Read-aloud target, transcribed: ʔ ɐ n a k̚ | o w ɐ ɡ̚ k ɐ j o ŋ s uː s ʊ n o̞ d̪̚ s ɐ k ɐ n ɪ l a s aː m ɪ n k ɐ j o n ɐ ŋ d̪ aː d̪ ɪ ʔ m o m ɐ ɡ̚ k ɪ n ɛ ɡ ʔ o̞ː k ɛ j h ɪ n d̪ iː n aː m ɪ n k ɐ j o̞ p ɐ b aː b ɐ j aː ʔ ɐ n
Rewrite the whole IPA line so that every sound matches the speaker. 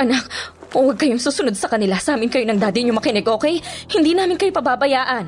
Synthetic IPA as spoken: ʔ ɐ n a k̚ | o w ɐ ɡ̚ k ɐ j o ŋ s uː s ʊ n o̞ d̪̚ s ɐ k ɐ n ɪ l a s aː m ɪ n k ɐ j o n ɐ ŋ d̪ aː d̪ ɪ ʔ ɲ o m ɐ k ɪ n ɛ ɡ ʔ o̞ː k ɛ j h ɪ n d̪ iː n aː m ɪ n k ɐ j o̞ p ɐ b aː b ɐ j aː ʔ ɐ n